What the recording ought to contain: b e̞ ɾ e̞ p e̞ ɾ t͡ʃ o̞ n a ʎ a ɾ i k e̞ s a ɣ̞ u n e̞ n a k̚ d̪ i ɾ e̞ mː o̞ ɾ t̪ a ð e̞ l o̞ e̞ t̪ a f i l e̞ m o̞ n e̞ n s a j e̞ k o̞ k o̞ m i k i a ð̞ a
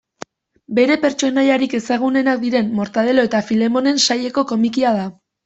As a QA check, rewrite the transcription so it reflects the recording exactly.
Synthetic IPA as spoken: b e̞ ɾ e̞ p e̞ ɾ t͡ʃ o̞ n a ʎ a ɾ i k e̞ s a ɣ̞ u n e̞ n a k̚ d̪ i ɾ e̞ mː o̞ ɾ t̪ a ð e̞ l o̞ e̞ t̪ a f i l e̞ m o̞ n e̞ n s a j e̞ k o̞ k o̞ m i k i a ð̞ a